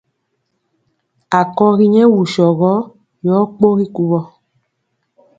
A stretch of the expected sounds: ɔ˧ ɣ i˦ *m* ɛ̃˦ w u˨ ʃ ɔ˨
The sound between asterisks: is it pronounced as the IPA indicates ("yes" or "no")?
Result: no